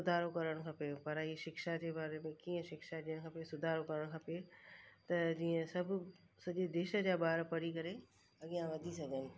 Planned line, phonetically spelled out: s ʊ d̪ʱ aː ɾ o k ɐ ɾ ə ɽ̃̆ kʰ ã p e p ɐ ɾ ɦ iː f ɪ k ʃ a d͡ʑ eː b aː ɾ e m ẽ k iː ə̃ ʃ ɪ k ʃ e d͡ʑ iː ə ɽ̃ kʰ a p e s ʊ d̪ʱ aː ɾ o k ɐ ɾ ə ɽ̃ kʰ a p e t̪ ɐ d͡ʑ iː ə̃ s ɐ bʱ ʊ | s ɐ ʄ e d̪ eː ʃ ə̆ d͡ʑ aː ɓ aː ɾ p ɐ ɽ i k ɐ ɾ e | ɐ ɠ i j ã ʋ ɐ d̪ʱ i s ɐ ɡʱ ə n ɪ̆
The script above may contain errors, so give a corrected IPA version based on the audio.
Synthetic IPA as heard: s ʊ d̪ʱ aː ɾ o k ɐ ɾ ə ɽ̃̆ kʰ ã p e p ɐ ɾ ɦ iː ʃ ɪ k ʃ a d͡ʑ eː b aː ɾ e m ẽ k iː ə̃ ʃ ɪ k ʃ a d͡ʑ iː ə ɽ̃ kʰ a p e s ʊ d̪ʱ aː ɾ o k ɐ ɾ ə ɽ̃ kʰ a p e t̪ ɐ d͡ʑ iː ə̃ s ɐ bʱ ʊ | s ɐ ʄ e d̪ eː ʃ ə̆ d͡ʑ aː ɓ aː ɾ p ɐ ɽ i k ɐ ɾ e | ɐ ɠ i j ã ʋ ɐ d̪ʱ i s ɐ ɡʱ ə n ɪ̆